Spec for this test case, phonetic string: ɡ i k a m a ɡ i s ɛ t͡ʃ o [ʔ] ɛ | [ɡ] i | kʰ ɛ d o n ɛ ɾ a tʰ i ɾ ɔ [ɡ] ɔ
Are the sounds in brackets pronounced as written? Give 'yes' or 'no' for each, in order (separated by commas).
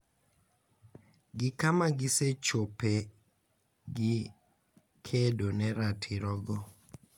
no, yes, yes